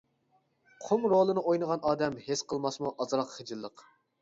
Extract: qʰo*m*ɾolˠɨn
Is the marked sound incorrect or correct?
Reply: correct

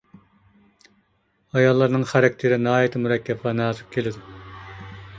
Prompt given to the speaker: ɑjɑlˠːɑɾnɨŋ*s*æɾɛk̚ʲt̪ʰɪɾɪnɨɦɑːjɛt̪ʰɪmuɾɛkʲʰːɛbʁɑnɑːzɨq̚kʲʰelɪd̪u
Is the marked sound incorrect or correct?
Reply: incorrect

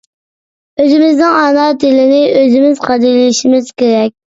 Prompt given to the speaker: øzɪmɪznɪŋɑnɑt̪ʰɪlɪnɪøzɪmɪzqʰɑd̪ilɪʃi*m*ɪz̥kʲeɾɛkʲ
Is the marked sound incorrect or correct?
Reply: correct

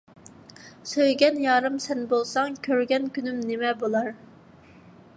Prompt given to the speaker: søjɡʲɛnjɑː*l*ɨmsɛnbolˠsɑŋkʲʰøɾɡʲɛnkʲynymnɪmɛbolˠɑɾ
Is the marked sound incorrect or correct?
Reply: incorrect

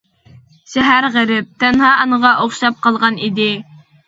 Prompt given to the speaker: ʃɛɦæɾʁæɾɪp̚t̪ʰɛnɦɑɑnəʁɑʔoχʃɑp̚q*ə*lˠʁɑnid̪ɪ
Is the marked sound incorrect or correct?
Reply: incorrect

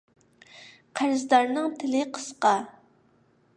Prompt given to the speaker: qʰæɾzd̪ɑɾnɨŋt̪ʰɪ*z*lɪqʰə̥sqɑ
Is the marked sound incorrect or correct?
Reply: incorrect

